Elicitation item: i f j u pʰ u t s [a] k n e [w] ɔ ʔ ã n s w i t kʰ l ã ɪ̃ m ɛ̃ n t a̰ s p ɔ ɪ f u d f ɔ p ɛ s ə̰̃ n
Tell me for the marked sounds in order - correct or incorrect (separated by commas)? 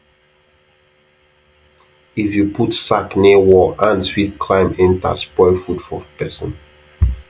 correct, correct